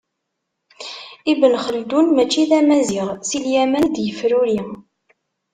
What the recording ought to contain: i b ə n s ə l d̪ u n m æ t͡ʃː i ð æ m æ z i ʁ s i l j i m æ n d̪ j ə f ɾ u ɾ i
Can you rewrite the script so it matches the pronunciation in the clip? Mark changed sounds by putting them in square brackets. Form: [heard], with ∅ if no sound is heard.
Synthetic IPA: i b ə n [χ] ə l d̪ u n m æ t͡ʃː i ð æ m æ z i ʁ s i l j [æ] m æ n d̪ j ə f ɾ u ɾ i